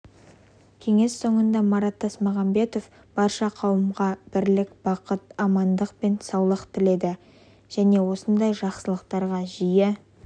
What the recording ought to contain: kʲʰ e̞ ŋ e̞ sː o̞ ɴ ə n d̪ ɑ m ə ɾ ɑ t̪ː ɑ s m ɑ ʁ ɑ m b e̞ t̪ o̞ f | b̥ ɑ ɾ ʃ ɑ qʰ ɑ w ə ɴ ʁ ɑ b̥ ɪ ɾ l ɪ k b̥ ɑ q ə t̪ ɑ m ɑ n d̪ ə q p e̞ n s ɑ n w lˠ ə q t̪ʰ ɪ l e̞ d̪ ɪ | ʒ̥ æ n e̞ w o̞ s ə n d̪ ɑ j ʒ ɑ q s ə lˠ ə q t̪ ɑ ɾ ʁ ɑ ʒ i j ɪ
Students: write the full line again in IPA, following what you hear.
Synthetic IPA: kʲʰ e̞ ŋ e̞ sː o̞ ɴ ə n d̪ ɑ m ɑ ɾ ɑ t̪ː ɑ s m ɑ ʁ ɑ m b e̞ t̪ o̞ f | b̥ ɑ ɾ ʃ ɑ qʰ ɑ w ə m ʁ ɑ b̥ ɪ ɾ l ɪ k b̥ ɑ q ə t̪ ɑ m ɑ n d̪ ə q p e̞ n s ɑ w lˠ ə q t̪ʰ ɪ l e̞ d̪ ɪ | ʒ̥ æ n e̞ w o̞ s ə n d̪ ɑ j ʒ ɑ q s ə lˠ ə q t̪ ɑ ɾ ʁ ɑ ʒ i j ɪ